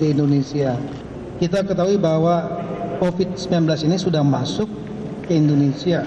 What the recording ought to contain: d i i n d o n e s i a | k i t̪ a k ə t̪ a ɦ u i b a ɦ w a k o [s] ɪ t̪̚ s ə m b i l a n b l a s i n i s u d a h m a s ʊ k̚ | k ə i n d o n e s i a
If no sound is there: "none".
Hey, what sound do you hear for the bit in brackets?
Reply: f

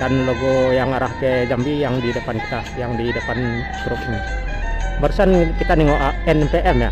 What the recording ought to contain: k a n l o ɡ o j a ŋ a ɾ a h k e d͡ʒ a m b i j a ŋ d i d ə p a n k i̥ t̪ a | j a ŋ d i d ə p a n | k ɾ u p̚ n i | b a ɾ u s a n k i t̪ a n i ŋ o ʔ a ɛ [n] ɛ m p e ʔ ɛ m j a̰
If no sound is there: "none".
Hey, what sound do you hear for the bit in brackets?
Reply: n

